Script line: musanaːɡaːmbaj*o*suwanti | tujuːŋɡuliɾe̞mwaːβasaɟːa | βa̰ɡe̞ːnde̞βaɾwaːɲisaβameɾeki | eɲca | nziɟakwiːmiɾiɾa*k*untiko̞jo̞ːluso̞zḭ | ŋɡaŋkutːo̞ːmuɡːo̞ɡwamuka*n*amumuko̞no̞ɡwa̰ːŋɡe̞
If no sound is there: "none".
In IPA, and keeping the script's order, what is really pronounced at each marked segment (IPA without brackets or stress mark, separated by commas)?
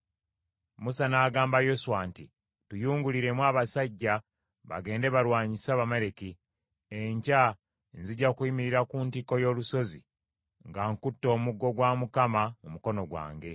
o, k, m